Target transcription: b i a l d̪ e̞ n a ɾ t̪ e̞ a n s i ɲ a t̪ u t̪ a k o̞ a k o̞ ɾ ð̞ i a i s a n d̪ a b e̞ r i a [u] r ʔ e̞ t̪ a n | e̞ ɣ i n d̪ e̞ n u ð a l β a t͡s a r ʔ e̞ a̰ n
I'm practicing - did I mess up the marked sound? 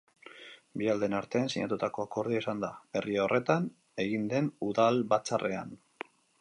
yes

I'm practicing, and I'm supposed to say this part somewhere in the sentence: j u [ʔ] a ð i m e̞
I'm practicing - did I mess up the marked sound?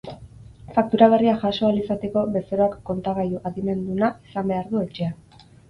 no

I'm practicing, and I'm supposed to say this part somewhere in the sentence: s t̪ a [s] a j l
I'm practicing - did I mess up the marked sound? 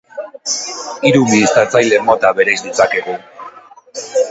yes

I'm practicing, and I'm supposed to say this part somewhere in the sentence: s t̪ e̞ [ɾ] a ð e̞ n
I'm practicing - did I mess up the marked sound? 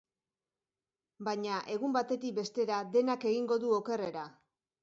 no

